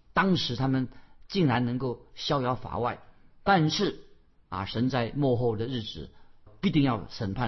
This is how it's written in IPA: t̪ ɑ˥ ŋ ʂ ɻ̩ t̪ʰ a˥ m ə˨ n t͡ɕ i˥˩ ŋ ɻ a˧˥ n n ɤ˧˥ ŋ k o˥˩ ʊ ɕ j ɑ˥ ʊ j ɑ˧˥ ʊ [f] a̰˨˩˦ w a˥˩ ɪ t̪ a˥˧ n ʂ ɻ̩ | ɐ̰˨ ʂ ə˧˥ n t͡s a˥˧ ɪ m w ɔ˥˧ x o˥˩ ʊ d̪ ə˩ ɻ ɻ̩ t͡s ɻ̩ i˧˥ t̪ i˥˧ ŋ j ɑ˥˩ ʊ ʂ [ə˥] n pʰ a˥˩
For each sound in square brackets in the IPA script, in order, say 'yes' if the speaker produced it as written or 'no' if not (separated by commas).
yes, no